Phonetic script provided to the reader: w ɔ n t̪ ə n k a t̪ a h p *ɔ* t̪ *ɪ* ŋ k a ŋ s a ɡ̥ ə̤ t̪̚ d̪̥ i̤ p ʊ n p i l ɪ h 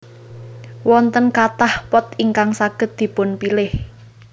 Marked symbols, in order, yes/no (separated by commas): yes, no